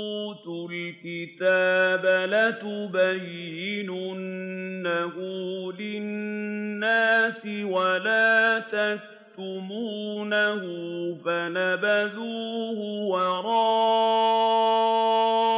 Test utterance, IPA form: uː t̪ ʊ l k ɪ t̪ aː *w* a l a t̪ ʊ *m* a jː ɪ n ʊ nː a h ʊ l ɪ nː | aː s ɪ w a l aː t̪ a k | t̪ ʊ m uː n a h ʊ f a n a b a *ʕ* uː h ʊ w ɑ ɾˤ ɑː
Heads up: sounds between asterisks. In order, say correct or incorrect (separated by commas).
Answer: incorrect, incorrect, incorrect